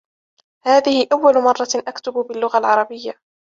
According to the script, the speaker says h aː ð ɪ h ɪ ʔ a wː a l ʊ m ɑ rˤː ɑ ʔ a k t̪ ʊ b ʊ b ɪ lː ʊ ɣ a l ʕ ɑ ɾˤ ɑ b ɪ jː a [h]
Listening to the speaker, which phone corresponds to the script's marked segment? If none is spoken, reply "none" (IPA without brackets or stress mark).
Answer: none